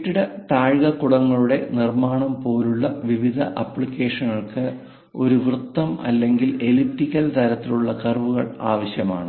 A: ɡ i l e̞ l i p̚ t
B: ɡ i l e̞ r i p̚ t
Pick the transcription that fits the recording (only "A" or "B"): A